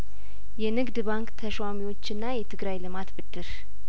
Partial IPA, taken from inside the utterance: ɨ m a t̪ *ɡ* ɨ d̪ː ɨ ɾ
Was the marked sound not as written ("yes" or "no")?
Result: yes